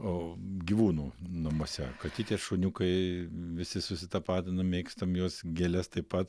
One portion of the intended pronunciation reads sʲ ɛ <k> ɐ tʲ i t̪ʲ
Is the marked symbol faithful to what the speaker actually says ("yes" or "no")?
yes